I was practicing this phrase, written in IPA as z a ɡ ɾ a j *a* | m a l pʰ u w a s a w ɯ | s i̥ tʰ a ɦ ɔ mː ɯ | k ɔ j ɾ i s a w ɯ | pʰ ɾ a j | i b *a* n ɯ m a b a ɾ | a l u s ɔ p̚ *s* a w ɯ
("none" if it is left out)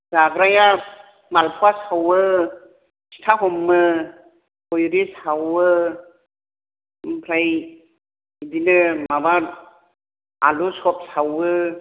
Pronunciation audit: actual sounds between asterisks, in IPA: a, i, s

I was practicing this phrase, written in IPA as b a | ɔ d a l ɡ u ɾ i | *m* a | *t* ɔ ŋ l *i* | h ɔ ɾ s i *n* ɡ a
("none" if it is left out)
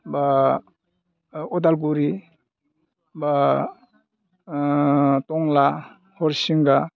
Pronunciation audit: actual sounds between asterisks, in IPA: b, t, a, ŋ

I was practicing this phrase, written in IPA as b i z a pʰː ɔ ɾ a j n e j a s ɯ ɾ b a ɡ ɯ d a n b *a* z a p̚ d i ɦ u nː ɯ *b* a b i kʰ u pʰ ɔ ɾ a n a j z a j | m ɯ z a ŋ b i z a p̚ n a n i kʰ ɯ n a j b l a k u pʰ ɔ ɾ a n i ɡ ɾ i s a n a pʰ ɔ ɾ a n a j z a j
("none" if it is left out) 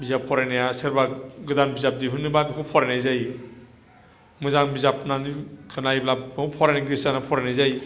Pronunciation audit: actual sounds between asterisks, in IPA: i, b

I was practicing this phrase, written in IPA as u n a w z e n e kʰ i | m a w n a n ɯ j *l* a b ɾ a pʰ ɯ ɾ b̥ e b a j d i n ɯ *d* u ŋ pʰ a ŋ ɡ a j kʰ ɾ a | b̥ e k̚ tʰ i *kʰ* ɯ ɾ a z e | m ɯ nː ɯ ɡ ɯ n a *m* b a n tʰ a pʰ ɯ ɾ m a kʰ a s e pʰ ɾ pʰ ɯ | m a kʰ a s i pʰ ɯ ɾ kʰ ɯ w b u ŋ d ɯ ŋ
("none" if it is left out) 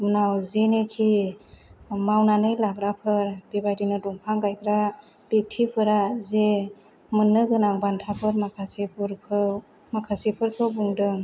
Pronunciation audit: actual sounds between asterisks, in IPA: l, d, pʰ, ŋ

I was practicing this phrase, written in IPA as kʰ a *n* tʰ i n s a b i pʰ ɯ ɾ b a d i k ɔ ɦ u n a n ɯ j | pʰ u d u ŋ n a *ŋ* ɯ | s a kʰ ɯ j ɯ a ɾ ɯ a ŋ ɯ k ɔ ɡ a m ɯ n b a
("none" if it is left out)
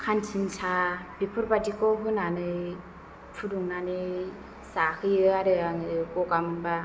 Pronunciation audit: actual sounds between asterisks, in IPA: n, n

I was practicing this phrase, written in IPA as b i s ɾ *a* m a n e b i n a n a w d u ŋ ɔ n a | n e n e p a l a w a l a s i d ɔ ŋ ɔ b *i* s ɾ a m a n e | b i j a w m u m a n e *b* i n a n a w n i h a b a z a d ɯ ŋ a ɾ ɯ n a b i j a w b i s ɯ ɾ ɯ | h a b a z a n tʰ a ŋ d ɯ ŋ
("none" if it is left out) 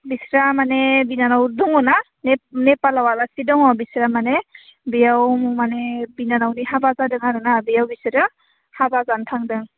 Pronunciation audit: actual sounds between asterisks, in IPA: a, i, b

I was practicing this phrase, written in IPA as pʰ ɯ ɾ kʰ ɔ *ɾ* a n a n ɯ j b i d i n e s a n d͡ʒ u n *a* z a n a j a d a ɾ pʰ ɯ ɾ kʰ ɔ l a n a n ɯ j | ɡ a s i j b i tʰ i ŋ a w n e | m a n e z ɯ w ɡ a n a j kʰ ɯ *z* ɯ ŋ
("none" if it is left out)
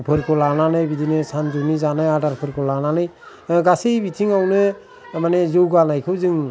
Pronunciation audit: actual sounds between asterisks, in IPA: l, i, z

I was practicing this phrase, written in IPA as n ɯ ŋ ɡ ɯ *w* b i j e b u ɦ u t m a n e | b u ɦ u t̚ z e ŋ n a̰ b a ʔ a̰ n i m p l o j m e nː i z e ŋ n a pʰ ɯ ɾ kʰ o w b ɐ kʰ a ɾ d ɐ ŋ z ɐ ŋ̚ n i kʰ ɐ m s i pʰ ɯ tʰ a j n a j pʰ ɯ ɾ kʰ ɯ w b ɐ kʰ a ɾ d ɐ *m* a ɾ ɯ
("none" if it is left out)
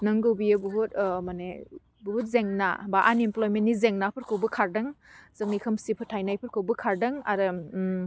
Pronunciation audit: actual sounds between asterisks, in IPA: w, ŋ

